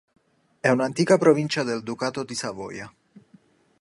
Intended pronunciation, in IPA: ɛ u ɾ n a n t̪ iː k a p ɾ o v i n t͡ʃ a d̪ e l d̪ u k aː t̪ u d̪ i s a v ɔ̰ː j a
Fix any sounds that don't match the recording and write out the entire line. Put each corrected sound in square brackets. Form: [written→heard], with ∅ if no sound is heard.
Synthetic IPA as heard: ɛ u [ɾ→∅] n a n t̪ iː k a p ɾ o v i n t͡ʃ a d̪ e l d̪ u k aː t̪ [u→o] d̪ i s a v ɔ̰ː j a

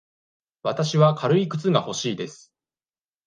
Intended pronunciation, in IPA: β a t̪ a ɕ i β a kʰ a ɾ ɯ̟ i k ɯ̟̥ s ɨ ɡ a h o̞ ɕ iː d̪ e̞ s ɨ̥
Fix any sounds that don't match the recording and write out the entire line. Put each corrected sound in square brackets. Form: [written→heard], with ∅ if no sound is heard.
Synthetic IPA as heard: β a t̪ a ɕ i β a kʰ a ɾ ɯ̟ i k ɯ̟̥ [s→t͡s] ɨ ɡ a h o̞ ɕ iː d̪ e̞ s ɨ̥

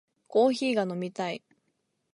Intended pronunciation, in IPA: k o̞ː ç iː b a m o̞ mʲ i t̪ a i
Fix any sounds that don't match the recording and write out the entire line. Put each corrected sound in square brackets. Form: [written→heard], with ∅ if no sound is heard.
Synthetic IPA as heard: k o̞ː ç iː [b→ɡ] a [m→n] o̞ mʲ i t̪ a i

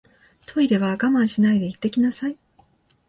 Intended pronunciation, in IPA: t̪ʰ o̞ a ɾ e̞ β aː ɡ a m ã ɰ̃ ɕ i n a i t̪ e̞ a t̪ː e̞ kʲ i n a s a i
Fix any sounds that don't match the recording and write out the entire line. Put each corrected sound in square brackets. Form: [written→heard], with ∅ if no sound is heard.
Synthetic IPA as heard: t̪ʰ o̞ [a→i] ɾ e̞ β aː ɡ a m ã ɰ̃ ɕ i n a i [t̪→d̪] e̞ [a→i] t̪ː e̞ kʲ i n a s a i

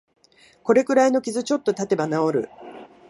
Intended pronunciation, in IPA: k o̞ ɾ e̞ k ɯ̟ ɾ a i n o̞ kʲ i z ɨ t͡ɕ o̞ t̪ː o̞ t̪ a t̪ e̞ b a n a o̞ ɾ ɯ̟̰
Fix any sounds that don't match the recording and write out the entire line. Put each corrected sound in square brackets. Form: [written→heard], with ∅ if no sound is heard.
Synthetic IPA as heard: k o̞ ɾ e̞ k ɯ̟ ɾ a i n o̞ kʲ i z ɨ t͡ɕ o̞ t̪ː o̞ t̪ a t̪ e̞ b a n a o̞ ɾ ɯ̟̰

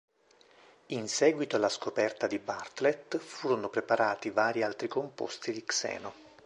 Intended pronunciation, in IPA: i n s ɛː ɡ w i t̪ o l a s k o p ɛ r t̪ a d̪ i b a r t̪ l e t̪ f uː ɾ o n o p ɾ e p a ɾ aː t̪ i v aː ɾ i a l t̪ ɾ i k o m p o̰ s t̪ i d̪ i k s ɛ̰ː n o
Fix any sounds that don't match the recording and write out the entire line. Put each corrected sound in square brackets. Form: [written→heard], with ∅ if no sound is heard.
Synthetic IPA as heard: i n s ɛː ɡ w i t̪ o l a s k o p ɛ r t̪ a d̪ i b a r t̪ l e t̪ f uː ɾ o n o p ɾ e p a ɾ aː t̪ i v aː ɾ i a l t̪ ɾ i k o m p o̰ s t̪ i d̪ i k s ɛ̰ː n o

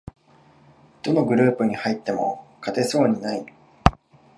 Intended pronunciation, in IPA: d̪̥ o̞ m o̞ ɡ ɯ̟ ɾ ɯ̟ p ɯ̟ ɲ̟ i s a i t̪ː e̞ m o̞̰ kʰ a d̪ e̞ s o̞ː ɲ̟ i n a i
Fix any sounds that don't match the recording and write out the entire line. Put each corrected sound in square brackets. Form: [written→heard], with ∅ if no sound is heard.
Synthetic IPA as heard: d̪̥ o̞ [m→n] o̞ ɡ ɯ̟ ɾ [ɯ̟→ɯ̟ː] p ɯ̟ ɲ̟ i [s→h] a i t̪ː e̞ m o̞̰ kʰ a [d̪→t̪] e̞ s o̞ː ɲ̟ i n a i

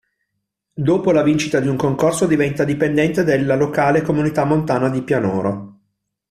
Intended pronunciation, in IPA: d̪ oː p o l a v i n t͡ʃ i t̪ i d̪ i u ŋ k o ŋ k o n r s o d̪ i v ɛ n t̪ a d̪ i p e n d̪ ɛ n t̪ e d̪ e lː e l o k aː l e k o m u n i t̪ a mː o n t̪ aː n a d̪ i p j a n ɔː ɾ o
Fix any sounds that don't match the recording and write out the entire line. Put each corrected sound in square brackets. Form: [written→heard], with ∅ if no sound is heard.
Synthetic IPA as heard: d̪ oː p o l a v i n t͡ʃ i t̪ [i→a] d̪ i u ŋ k o ŋ k o [n→∅] r s o d̪ i v ɛ n t̪ a d̪ i p e n d̪ ɛ n t̪ e d̪ e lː [e→a] l o k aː l e k o m u n i t̪ a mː o n t̪ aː n a d̪ i p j a n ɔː ɾ o

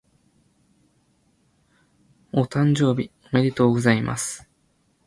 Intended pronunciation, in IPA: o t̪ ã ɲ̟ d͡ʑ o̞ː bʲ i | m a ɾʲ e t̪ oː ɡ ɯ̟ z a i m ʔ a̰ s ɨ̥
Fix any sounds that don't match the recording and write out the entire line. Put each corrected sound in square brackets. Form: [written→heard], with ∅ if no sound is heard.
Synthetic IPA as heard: o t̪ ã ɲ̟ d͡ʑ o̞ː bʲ i | m [a→e] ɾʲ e t̪ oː ɡ ɯ̟ z a i m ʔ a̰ s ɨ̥

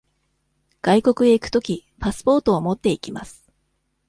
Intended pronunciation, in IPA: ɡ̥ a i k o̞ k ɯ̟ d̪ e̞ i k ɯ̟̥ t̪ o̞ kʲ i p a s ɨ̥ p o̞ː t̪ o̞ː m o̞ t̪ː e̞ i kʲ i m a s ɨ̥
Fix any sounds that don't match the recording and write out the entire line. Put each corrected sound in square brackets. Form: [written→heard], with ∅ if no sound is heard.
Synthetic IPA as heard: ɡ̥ a i k o̞ k ɯ̟ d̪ e̞ i k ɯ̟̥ t̪ o̞ kʲ i p a s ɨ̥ p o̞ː t̪ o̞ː m o̞ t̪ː e̞ i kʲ i m a s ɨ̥

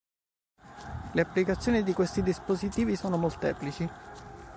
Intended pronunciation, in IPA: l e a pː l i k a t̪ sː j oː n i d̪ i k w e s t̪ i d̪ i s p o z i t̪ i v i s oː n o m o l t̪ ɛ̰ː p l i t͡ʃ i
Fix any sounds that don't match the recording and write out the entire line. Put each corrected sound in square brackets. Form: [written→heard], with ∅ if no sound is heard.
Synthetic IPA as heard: l e a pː l i k a t̪ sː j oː n i d̪ i k w e s t̪ i d̪ i s p o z i t̪ [i→iː] v i s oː n o m o l t̪ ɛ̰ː p l i t͡ʃ i

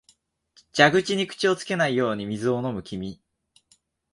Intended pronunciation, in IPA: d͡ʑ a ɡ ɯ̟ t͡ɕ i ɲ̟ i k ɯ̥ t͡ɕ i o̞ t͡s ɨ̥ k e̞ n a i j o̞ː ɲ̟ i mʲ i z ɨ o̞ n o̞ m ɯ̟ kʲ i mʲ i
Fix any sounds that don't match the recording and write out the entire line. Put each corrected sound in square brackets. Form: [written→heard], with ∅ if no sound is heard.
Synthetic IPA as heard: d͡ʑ a ɡ ɯ̟ t͡ɕ i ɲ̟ i k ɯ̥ t͡ɕ i o̞ t͡s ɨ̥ k e̞ n a i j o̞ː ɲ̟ i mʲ i z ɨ o̞ n o̞ m ɯ̟ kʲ i mʲ i

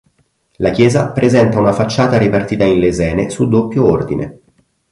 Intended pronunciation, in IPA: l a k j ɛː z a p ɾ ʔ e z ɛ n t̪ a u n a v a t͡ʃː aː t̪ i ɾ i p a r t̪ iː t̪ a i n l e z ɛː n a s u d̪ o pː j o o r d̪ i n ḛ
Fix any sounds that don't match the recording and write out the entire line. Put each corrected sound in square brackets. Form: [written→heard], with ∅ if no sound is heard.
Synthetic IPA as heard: l a k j ɛː z a p ɾ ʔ e z ɛ n t̪ a u n a [v→f] a t͡ʃː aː t̪ [i→a] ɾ i p a r t̪ iː t̪ a i n l e z ɛː n [a→e] s u d̪ o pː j o o r d̪ i n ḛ

